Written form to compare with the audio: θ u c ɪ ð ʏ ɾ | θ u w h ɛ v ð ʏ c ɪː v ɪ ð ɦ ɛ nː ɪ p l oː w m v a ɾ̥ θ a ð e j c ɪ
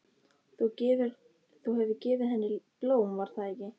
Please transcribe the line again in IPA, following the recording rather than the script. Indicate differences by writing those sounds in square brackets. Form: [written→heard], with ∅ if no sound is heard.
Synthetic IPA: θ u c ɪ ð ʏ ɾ | θ u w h ɛ v ð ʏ c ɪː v ɪ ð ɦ ɛ nː ɪ p l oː w m v a ɾ̥ θ a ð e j c ɪ